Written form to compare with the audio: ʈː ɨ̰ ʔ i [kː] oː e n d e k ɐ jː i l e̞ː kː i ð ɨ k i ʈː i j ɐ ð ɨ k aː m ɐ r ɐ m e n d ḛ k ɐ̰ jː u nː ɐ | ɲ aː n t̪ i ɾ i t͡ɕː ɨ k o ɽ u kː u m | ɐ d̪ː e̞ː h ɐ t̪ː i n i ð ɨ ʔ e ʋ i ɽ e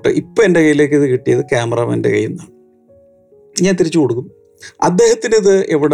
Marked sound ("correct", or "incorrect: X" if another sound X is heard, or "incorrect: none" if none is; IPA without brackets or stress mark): incorrect: pː